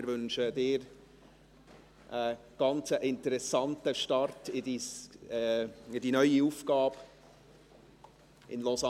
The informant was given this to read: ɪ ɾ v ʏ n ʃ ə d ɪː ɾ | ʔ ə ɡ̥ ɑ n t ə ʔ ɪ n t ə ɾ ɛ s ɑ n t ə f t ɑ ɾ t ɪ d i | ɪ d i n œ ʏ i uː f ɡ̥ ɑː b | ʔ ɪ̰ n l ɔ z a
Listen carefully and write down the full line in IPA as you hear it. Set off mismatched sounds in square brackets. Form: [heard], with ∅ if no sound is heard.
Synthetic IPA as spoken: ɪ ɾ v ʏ n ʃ ə d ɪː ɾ | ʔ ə ɡ̥ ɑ n [t͡s] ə ʔ ɪ n t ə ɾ ɛ s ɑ n t ə [ʃ] t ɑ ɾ t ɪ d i | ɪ d i n œ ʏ i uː f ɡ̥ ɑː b | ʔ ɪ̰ n l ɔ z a